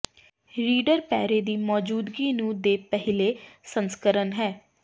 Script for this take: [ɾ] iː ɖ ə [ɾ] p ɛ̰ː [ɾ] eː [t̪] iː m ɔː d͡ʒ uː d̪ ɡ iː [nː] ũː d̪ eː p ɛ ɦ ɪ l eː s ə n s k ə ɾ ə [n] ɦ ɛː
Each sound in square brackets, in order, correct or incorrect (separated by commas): correct, correct, correct, incorrect, incorrect, correct